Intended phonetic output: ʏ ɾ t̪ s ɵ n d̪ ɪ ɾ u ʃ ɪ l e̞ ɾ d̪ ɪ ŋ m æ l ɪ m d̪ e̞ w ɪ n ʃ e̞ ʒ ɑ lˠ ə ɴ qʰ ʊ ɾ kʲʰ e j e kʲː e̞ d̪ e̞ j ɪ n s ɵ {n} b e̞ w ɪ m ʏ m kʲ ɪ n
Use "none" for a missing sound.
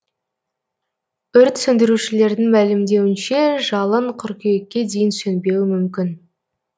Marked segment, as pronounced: n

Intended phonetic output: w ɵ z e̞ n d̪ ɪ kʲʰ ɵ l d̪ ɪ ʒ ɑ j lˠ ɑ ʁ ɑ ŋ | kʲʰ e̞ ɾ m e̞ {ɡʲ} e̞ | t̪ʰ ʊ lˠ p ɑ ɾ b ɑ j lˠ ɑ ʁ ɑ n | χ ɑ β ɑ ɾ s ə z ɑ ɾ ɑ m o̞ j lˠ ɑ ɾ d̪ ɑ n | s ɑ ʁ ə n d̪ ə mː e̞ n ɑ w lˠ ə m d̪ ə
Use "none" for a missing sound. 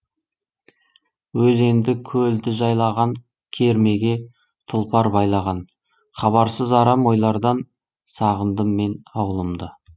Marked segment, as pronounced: ɡʲ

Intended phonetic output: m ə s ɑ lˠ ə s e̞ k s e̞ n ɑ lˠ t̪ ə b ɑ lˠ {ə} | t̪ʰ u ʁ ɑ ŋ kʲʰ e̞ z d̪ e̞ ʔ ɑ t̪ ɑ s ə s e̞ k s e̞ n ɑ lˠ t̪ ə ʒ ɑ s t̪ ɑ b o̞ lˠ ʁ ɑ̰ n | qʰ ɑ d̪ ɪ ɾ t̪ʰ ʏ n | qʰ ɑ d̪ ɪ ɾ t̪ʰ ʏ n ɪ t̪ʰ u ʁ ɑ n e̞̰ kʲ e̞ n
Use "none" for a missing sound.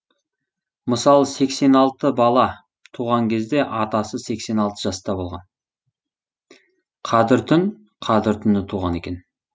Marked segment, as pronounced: ɑ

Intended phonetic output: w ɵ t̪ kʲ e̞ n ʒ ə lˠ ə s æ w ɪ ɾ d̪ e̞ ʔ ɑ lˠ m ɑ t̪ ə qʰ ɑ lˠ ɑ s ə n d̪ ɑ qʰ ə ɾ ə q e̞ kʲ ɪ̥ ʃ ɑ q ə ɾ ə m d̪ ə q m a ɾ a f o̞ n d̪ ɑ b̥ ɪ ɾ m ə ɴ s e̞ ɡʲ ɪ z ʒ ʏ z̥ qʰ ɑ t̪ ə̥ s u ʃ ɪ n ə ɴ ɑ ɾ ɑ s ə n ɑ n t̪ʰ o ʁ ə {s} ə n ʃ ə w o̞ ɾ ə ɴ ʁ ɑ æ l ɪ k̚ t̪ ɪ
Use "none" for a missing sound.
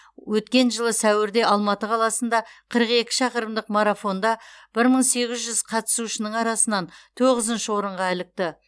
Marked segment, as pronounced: z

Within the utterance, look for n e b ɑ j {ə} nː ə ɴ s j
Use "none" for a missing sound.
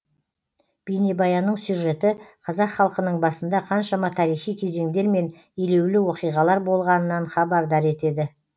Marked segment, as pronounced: ɑ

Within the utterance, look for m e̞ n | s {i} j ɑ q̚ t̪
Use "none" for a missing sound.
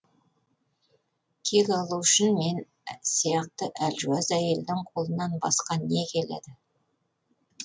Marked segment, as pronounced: i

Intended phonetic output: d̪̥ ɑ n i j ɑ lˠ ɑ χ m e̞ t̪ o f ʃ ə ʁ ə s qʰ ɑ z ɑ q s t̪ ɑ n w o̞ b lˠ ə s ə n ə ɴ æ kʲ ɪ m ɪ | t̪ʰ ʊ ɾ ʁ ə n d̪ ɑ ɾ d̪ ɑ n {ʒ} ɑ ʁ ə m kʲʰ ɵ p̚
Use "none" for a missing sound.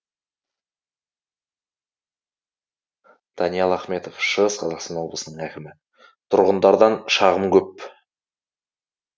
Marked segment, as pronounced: ʃ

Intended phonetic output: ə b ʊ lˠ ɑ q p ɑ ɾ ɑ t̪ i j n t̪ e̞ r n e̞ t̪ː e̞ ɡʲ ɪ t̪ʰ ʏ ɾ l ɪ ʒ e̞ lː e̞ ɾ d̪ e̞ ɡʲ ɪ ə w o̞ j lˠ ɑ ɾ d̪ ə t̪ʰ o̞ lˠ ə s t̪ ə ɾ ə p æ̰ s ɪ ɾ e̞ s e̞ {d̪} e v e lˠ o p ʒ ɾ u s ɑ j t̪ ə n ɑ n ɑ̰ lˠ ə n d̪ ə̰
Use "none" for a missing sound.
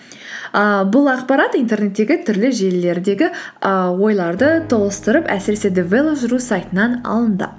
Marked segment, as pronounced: d̪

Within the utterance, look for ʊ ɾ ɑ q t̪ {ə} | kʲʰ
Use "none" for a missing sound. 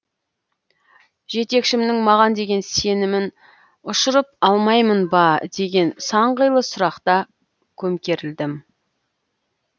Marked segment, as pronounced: ɑ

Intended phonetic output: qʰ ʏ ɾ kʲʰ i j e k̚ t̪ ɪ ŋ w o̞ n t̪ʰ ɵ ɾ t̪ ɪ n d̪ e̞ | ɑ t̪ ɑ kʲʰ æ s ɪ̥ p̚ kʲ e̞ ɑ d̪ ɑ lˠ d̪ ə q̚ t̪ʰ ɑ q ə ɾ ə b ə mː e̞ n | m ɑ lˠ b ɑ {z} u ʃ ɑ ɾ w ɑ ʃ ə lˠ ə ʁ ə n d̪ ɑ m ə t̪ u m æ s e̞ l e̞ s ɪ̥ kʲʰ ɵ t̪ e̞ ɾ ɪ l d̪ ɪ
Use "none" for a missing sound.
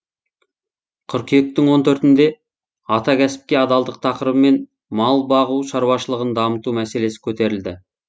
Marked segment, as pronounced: ʁ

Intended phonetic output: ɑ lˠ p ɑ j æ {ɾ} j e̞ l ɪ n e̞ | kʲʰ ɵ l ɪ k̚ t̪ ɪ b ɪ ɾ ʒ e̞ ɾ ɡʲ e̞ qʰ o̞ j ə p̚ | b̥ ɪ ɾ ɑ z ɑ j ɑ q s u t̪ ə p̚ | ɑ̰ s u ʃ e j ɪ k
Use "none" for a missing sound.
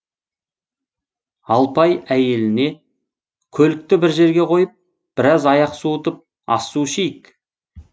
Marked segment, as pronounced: none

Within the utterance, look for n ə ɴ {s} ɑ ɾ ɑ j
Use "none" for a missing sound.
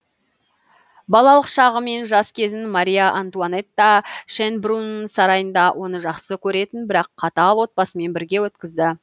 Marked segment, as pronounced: s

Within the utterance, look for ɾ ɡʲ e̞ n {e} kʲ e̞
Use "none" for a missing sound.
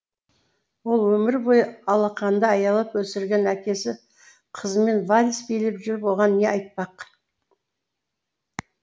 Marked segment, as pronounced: æ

